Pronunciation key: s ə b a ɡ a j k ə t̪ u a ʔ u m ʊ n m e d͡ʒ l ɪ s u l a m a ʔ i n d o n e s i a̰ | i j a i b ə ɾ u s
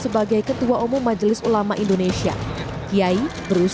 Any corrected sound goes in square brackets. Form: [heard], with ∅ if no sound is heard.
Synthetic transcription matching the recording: s ə b a ɡ a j k ə t̪ u a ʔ u m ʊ [ŋ] m [a] d͡ʒ l ɪ s u l a m a ʔ i n d o n e s i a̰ | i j a i b ə ɾ u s